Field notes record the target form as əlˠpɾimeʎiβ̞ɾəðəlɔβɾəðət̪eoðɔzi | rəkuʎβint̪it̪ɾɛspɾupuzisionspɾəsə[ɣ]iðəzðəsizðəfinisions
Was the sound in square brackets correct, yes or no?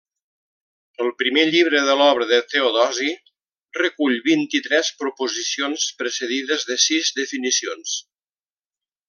no